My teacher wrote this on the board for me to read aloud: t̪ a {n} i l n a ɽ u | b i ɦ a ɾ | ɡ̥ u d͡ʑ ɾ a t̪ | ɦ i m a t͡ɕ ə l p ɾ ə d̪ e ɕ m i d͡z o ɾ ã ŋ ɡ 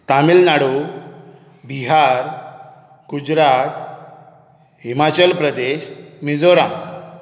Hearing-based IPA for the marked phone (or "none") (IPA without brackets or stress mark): m